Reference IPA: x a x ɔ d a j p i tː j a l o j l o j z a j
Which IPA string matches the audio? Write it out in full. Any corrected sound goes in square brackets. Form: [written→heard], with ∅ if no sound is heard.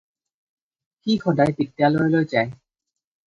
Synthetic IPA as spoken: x [a→i] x ɔ d a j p i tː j a l o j l o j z a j